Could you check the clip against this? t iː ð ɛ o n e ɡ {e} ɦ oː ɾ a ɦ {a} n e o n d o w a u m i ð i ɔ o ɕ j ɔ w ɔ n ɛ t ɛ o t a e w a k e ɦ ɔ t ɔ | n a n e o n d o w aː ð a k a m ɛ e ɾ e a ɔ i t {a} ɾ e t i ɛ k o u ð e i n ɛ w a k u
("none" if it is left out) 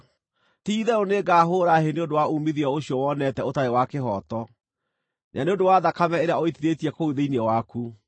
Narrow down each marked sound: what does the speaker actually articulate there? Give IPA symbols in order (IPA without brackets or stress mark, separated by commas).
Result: a, e, i